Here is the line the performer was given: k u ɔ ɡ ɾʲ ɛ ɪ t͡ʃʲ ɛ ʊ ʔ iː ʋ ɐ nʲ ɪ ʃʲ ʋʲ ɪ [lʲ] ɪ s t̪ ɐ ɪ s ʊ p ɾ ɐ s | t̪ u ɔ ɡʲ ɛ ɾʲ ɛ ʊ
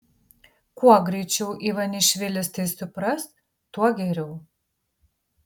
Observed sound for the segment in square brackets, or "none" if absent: lʲ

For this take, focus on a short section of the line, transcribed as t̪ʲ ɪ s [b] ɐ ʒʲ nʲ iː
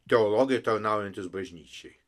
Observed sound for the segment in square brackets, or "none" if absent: b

